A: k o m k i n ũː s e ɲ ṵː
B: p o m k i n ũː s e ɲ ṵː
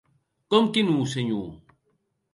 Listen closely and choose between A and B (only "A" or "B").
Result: A